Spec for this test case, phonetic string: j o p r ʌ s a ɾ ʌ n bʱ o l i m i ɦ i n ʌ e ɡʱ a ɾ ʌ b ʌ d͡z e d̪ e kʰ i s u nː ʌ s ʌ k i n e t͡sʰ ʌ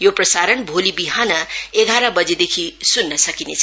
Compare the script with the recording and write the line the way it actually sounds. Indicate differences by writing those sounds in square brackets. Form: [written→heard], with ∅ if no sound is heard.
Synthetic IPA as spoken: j o p r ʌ s a ɾ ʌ n bʱ o l i [m→b] i ɦ [i→a] n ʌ e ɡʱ a ɾ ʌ b ʌ d͡z e d̪ e kʰ i s u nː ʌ s ʌ k i n e t͡sʰ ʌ